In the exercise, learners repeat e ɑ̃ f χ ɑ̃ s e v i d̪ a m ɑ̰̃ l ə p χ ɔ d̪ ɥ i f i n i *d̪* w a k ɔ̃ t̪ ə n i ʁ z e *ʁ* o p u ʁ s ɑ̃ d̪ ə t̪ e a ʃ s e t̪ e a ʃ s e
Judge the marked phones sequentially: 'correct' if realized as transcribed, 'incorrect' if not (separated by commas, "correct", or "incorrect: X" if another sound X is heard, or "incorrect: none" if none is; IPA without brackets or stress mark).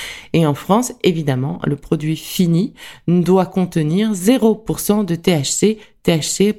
correct, correct